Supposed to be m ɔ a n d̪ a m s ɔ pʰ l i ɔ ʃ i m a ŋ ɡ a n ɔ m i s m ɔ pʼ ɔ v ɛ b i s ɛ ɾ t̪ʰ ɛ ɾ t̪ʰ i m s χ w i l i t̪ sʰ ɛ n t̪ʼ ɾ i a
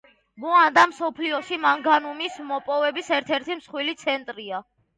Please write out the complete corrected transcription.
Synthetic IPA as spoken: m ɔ a n d̪ a m s ɔ pʰ l i ɔ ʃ i m a ŋ ɡ a n u m i s m ɔ pʼ ɔ v ɛ b i s ɛ ɾ t̪ʰ ɛ ɾ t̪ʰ i m s χ w i l i t̪ sʰ ɛ n t̪ʼ ɾ i a

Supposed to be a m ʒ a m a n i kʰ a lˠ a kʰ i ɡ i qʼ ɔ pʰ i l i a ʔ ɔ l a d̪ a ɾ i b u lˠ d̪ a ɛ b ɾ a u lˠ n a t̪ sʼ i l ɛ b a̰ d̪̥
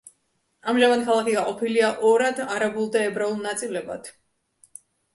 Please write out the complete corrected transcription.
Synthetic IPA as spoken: a m ʒ a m a n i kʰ a lˠ a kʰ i ɡ a qʼ ɔ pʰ i l i a ʔ ɔ ɾ a d̪ a ɾ a b u lˠ d̪ a ɛ b ɾ a u lˠ n a t̪ sʼ i l ɛ b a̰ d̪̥

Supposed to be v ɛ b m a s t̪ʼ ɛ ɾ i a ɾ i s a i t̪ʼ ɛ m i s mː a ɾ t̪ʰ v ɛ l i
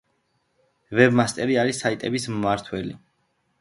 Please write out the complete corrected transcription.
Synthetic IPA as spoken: v ɛ b m a s t̪ʼ ɛ ɾ i a ɾ i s a i t̪ʼ ɛ b i s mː a ɾ t̪ʰ w ɛ l i

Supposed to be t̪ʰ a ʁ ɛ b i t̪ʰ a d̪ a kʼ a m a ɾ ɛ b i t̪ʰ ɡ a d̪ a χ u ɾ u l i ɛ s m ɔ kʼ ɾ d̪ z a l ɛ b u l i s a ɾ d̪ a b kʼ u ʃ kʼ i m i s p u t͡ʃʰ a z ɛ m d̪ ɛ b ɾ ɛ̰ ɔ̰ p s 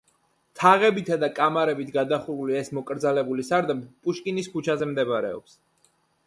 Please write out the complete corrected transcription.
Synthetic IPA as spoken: t̪ʰ a ʁ ɛ b i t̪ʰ a d̪ a kʼ a m a ɾ ɛ b i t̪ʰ ɡ a d̪ a χ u ɾ u l i ɛ s m ɔ kʼ ɾ d̪ z a l ɛ b u l i s a ɾ d̪ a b pʼ u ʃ kʼ i n i s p u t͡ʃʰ a z ɛ m d̪ ɛ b ɾ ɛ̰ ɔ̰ p s

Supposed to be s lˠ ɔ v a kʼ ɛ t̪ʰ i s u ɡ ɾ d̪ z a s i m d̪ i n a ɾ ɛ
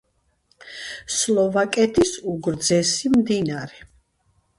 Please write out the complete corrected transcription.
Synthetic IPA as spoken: s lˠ ɔ v a kʼ ɛ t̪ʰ i s u ɡ ɾ d̪ z ɛ s i m d̪ i n a ɾ ɛ

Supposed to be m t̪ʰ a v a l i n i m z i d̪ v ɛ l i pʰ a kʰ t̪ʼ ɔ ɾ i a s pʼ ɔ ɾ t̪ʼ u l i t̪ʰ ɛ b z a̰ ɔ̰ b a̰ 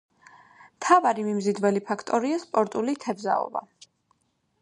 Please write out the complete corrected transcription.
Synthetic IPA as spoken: m t̪ʰ a v a ɾ i m i m z i d̪ v ɛ l i pʰ a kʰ t̪ʼ ɔ ɾ i a s pʼ ɔ ɾ t̪ʼ u l i t̪ʰ ɛ b z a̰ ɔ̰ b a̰

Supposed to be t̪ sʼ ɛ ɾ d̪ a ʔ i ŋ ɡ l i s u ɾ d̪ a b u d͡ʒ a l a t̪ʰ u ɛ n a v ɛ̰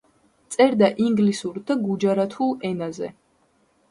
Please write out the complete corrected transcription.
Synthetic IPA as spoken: t̪ sʼ ɛ ɾ d̪ a ʔ i ŋ ɡ l i s u ɾ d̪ a ɡ u d͡ʒ a ɾ a t̪ʰ u ɛ n a z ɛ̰

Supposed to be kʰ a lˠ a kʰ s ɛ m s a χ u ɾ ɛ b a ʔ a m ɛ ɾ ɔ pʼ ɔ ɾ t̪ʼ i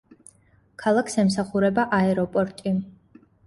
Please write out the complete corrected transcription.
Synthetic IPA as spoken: kʰ a lˠ a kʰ s ɛ m s a χ u ɾ ɛ b a ʔ a ɛ ɾ ɔ pʼ ɔ ɾ t̪ʼ i

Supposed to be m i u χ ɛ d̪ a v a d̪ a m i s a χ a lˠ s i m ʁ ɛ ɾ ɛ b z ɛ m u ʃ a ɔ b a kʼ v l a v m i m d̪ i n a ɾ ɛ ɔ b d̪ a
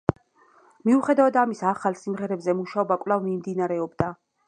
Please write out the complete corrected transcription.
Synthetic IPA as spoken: m i u χ ɛ d̪ a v a d̪ a m i s a χ a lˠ s i m ʁ ɛ ɾ ɛ b z ɛ m u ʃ a ɔ b a kʼ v l a v m i m d̪ i n a ɾ ɛ ɔ b d̪ a

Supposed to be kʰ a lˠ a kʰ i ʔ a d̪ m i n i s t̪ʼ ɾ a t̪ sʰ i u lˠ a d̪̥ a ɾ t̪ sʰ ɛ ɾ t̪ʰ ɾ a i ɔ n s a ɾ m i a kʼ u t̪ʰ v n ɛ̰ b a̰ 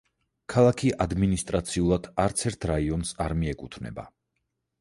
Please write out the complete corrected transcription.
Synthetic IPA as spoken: kʰ a lˠ a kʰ i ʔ a d̪ m i n i s t̪ʼ ɾ a t̪ sʰ i u lˠ a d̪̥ a ɾ t̪ sʰ ɛ ɾ t̪ʰ ɾ a i ɔ n s a ɾ m i ɛ kʼ u t̪ʰ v n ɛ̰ b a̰

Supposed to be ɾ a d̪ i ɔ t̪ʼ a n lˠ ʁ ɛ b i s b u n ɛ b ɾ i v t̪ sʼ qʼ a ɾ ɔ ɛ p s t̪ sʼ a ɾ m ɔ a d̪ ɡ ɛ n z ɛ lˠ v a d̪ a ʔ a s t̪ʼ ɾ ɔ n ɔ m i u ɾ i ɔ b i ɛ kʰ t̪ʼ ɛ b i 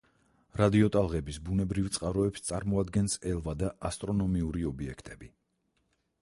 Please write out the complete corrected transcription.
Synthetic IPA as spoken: ɾ a d̪ i ɔ t̪ʼ a lˠ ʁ ɛ b i s b u n ɛ b ɾ i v t̪ sʼ qʼ a ɾ ɔ ɛ p s t̪ sʼ a ɾ m ɔ a d̪ ɡ ɛ n s ɛ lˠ v a d̪ a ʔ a s t̪ʼ ɾ ɔ n ɔ m i u ɾ i ɔ b i ɛ kʰ t̪ʼ ɛ b i

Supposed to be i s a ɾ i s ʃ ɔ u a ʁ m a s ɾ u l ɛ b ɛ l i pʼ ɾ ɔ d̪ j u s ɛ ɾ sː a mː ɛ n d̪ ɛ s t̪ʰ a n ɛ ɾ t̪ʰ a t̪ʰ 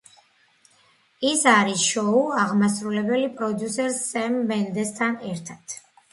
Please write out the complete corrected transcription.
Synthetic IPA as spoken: i s a ɾ i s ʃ ɔ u a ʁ m a s ɾ u l ɛ b ɛ l i pʼ ɾ ɔ d̪ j u s ɛ ɾ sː ɛ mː ɛ n d̪ ɛ s t̪ʰ a n ɛ ɾ t̪ʰ a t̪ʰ

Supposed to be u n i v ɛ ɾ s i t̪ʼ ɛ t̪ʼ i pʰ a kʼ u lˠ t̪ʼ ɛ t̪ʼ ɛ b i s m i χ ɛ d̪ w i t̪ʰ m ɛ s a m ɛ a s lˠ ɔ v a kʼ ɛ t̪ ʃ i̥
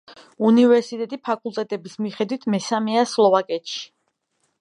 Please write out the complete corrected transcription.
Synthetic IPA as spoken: u n i v ɛ ɾ s i t̪ʼ ɛ t̪ʼ i pʰ a kʼ u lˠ t̪ʼ ɛ t̪ʼ ɛ b i s m i χ ɛ d̪ w i t̪ʰ m ɛ s a m ɛ a s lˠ ɔ v a kʼ ɛ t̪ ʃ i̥

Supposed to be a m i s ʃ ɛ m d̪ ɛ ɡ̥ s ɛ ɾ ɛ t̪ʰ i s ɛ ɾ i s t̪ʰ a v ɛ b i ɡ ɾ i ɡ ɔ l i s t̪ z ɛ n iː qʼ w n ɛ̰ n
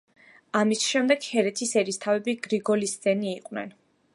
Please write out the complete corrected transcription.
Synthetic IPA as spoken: a m i s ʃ ɛ m d̪ ɛ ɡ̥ h ɛ ɾ ɛ t̪ʰ i s ɛ ɾ i s t̪ʰ a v ɛ b i ɡ ɾ i ɡ ɔ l i s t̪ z ɛ n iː qʼ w n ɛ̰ n

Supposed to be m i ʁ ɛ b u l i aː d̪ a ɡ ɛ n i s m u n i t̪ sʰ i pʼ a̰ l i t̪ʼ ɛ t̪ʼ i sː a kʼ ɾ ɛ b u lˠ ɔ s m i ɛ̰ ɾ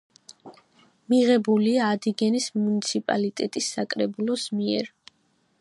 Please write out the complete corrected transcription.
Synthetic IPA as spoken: m i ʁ ɛ b u l i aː d̪ i ɡ ɛ n i s m u n i t̪ sʰ i pʼ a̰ l i t̪ʼ ɛ t̪ʼ i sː a kʼ ɾ ɛ b u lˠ ɔ s m i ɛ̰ ɾ

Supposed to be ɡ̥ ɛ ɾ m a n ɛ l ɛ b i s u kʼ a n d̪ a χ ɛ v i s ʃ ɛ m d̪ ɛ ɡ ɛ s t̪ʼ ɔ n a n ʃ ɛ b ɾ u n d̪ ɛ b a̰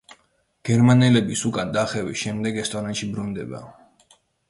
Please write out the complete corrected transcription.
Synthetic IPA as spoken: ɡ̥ ɛ ɾ m a n ɛ l ɛ b i s u kʼ a n d̪ a χ ɛ v i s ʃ ɛ m d̪ ɛ ɡ ɛ s t̪ʼ ɔ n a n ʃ i b ɾ u n d̪ ɛ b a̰

